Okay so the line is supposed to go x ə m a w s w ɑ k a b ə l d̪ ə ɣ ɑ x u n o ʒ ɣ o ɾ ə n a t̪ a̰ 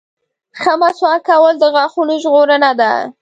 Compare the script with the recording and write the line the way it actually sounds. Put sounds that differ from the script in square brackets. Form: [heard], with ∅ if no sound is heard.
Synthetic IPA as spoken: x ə m a [∅] s w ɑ k a [w] ə l d̪ ə ɣ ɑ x u n o ʒ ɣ o ɾ ə n a [d̪] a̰

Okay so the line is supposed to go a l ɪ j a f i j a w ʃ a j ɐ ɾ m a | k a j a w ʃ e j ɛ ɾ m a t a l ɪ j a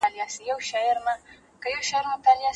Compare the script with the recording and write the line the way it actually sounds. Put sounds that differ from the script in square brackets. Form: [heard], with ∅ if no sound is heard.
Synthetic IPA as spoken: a l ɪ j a [s] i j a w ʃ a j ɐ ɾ m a | k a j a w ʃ [a] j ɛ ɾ m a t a l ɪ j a

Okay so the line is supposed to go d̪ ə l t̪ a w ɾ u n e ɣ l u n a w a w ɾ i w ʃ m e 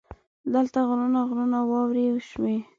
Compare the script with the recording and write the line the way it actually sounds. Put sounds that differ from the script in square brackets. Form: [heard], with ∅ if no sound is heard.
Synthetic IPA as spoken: d̪ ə l t̪ a [ɣ] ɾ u n [a] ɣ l u n a w [ɑ] w ɾ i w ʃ m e

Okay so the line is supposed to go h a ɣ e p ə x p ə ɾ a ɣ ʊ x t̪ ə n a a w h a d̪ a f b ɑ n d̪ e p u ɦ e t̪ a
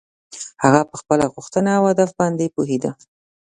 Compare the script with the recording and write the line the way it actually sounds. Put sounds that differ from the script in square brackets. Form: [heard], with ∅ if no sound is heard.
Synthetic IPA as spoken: h a ɣ [a] p ə x p ə [l] a ɣ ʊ x t̪ ə n a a w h a d̪ a f b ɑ n d̪ e p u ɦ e [d̪] a

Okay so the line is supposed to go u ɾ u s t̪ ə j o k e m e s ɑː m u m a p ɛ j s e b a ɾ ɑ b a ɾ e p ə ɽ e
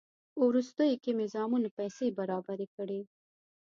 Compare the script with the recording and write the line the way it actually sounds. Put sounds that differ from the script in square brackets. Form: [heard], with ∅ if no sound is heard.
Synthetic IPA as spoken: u ɾ u s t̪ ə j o k e m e [z] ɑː m u [n] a p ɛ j s e b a ɾ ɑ b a ɾ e [k] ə ɽ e

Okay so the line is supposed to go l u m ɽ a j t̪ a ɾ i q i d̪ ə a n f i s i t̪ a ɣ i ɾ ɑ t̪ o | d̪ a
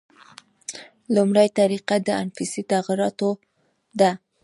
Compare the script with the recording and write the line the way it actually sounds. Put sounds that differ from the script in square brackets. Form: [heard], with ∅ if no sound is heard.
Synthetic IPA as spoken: l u m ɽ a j t̪ a ɾ i q [a] d̪ ə a n f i s i t̪ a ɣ i ɾ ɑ t̪ o | d̪ a

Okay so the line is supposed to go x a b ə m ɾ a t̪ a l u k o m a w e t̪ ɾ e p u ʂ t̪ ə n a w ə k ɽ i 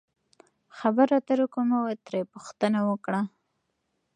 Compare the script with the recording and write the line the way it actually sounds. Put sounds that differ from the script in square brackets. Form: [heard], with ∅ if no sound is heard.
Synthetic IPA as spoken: x a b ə [∅] ɾ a t̪ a [ɾ] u k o m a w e t̪ ɾ e p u [x] t̪ ə n a w ə k ɽ [a]

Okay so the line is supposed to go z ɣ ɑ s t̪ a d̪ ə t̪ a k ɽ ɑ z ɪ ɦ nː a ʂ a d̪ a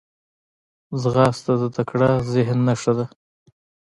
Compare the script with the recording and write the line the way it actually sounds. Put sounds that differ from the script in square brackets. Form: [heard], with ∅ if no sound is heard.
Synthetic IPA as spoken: z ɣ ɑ s t̪ a d̪ ə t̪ a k ɽ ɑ z ɪ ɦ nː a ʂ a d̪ a

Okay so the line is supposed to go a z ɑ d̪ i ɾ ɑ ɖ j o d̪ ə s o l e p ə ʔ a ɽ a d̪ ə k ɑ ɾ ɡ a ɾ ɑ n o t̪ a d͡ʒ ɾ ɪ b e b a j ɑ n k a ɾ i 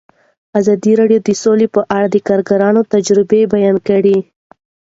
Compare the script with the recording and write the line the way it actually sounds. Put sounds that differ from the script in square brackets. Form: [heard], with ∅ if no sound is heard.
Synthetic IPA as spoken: a z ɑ d̪ i ɾ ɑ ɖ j o d̪ ə s o l e p ə ʔ a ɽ a d̪ ə k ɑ ɾ ɡ a ɾ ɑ n o t̪ a d͡ʒ ɾ ɪ b e b a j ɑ n k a [ɽ] i

